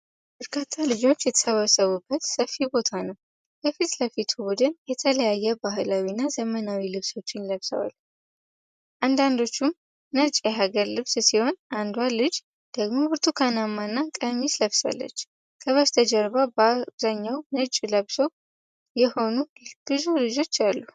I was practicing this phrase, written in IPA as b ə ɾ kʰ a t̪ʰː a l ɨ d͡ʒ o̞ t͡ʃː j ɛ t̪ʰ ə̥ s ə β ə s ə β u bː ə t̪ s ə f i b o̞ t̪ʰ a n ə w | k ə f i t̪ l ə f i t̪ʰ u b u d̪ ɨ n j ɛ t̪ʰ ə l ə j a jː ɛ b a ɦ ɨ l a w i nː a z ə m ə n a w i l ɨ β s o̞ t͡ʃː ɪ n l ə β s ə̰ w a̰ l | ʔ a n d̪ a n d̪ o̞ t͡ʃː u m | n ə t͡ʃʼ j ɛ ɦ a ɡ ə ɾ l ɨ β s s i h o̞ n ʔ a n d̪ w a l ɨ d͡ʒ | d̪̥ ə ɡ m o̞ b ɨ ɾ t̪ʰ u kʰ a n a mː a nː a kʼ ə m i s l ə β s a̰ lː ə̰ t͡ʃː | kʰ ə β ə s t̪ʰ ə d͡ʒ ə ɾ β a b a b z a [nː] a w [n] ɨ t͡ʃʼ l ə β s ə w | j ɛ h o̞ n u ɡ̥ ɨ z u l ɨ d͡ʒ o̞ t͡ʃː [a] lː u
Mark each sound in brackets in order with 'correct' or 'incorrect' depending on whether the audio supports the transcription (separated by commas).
incorrect, correct, correct